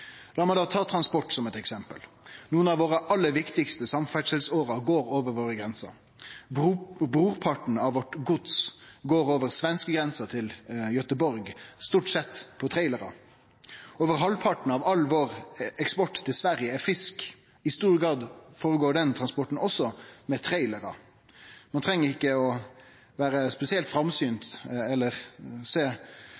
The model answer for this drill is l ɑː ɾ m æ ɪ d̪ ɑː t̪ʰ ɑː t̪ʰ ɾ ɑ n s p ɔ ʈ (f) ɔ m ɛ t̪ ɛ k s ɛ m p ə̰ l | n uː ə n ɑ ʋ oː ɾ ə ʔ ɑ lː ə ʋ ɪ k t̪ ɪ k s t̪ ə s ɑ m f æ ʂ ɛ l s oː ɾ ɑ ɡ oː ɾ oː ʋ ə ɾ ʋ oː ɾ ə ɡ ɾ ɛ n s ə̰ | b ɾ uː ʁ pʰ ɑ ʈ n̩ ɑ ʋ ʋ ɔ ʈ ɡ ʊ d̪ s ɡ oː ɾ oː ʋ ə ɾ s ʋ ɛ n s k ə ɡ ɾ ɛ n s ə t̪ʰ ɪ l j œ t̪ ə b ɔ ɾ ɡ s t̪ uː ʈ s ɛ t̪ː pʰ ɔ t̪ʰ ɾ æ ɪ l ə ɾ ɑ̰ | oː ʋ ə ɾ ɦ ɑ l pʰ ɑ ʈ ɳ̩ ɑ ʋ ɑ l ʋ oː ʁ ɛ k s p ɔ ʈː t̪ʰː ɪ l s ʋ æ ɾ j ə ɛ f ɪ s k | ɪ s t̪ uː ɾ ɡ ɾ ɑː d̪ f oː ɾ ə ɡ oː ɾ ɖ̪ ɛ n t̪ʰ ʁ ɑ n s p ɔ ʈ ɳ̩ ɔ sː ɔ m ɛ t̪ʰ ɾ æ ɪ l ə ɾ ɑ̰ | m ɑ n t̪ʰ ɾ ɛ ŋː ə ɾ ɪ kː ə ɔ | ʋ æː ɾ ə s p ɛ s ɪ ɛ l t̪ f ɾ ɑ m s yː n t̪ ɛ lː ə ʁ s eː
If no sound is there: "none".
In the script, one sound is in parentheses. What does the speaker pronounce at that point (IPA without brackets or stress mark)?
s